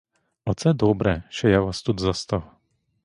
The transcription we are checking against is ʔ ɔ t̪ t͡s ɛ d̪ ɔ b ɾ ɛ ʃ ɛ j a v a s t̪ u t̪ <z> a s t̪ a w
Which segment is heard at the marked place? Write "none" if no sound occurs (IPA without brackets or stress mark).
z